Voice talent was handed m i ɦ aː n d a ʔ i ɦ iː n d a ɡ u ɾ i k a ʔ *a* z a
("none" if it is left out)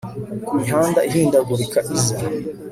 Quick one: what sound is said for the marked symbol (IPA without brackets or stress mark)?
i